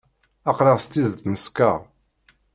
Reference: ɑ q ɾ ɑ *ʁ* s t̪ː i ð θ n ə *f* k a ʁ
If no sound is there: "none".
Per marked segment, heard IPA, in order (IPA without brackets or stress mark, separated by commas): ʁ, s